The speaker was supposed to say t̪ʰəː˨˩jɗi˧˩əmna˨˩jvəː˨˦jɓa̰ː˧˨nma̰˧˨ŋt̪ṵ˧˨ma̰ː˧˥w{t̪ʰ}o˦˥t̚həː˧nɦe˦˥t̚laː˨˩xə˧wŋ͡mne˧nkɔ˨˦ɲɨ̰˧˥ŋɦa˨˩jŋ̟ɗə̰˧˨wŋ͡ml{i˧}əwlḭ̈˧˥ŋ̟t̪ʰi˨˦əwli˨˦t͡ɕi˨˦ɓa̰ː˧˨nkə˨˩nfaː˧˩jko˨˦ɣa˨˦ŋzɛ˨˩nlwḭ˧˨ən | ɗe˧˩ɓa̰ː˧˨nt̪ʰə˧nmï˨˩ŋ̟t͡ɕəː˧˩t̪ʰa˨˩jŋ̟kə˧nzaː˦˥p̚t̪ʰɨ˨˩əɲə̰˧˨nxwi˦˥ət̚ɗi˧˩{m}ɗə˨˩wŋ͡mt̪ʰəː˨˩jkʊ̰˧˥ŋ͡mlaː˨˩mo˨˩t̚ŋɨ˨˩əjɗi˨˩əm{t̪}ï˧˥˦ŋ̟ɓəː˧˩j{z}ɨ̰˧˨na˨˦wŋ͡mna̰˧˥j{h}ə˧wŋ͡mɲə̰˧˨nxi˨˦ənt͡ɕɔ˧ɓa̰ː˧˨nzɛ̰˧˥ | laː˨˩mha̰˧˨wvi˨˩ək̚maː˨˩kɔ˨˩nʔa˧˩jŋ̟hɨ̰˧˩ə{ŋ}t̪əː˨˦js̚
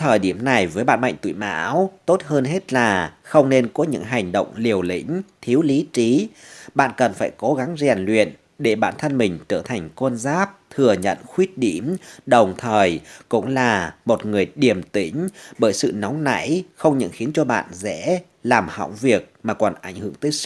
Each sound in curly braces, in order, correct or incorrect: incorrect: t̪, incorrect: i˨˩, correct, correct, incorrect: s, incorrect: x, correct

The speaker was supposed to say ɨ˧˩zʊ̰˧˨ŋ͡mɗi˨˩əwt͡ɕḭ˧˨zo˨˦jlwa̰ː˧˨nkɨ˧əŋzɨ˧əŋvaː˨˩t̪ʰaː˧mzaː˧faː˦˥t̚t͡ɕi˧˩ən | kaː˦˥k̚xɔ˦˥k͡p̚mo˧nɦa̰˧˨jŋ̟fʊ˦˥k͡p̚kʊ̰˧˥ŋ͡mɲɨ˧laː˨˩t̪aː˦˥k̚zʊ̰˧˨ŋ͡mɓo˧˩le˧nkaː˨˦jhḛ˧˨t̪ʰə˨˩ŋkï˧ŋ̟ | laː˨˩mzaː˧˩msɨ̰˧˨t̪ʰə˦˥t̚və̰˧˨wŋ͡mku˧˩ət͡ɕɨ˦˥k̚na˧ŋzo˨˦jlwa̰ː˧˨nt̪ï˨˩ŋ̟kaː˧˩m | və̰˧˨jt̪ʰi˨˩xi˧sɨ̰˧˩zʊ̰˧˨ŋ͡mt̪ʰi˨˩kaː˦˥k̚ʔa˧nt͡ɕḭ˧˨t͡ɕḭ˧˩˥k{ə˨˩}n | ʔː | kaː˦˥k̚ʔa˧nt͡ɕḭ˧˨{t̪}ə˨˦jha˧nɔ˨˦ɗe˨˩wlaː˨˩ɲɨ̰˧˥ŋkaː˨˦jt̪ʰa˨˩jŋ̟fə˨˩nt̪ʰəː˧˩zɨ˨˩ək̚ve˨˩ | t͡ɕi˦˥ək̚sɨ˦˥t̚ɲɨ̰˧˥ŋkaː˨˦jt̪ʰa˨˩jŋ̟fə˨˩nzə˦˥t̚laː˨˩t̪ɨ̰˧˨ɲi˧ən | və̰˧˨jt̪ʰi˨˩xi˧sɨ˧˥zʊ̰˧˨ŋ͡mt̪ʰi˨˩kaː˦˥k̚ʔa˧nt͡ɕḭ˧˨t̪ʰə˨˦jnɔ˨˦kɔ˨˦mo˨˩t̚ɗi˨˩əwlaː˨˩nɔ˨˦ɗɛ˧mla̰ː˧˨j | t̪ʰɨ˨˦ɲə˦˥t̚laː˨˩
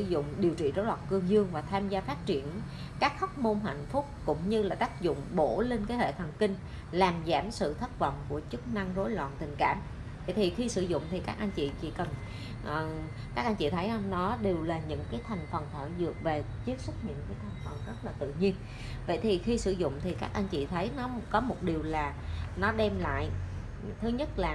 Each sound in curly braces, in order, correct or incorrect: correct, incorrect: t̪ʰ

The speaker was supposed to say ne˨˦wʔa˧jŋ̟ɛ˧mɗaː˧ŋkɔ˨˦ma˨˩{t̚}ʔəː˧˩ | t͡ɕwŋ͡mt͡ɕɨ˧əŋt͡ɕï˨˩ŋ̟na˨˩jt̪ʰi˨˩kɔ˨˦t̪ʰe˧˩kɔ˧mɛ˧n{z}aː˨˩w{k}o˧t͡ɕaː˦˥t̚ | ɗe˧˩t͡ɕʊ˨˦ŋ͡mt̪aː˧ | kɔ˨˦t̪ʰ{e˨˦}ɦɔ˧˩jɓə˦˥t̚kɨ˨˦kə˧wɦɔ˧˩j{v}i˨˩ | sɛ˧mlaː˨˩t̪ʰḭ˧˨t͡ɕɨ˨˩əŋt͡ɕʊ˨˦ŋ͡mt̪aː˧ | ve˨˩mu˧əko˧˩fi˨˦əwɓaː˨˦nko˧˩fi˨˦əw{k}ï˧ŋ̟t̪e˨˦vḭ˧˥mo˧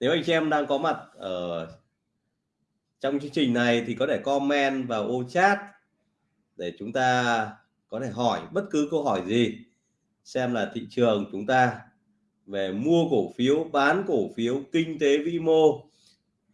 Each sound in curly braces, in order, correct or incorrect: correct, incorrect: v, incorrect: ʔ, incorrect: e˧˩, incorrect: z, correct

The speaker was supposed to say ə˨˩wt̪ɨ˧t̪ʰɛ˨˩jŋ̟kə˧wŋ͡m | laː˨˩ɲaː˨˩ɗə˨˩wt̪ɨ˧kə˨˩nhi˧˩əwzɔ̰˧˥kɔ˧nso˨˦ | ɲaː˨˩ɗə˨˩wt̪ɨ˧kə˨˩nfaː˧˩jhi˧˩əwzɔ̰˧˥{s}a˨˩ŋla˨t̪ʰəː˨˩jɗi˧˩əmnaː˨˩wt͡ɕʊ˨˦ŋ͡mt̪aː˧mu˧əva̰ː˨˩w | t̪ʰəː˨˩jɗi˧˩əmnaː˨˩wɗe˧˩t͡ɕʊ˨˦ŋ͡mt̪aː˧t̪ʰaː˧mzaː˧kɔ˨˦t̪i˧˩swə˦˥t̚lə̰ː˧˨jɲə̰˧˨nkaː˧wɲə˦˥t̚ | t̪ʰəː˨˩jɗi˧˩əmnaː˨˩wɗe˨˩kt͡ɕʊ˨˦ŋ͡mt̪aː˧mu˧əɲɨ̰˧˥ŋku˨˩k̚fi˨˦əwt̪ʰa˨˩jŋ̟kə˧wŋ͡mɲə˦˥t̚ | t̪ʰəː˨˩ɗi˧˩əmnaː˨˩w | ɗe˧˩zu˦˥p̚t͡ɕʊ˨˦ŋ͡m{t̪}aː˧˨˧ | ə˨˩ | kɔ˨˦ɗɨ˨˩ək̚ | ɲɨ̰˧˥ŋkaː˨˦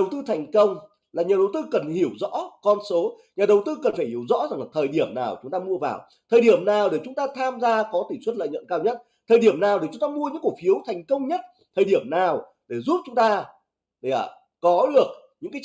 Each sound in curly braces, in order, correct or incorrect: incorrect: z, correct

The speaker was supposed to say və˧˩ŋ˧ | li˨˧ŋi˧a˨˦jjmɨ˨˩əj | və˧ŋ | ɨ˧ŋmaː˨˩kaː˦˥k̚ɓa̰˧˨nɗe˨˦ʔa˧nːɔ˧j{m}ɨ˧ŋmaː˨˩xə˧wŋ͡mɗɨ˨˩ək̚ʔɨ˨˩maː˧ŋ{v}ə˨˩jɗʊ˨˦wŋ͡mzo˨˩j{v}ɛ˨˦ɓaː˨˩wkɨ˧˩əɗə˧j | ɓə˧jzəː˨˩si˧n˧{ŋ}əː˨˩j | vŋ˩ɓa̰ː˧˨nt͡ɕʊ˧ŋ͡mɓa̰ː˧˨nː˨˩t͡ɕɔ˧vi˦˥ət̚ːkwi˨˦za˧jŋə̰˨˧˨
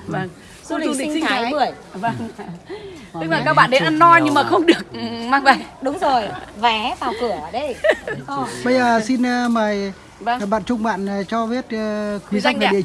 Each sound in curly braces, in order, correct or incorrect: incorrect: ɲ, correct, correct, incorrect: m

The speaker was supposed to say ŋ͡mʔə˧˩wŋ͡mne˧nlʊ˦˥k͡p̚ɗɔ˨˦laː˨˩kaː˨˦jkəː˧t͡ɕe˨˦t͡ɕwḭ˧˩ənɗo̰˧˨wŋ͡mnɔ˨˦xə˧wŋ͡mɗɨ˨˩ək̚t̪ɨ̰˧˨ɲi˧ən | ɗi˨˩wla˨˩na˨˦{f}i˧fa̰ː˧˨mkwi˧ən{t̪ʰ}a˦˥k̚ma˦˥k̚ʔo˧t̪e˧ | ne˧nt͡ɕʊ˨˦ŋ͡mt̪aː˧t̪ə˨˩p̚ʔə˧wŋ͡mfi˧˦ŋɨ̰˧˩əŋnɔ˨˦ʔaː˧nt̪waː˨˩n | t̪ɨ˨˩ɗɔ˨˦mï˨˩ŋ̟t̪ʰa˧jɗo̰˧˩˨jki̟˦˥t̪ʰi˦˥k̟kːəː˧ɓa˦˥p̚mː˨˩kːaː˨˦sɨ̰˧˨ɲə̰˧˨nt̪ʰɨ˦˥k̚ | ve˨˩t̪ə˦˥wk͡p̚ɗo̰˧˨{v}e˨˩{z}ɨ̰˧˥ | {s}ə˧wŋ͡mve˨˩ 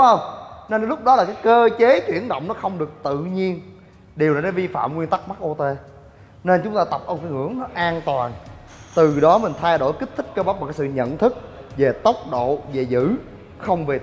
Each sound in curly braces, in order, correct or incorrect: incorrect: v, incorrect: t̪, correct, correct, incorrect: x

